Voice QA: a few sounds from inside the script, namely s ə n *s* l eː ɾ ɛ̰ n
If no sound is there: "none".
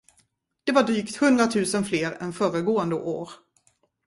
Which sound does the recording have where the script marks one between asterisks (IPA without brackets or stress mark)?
f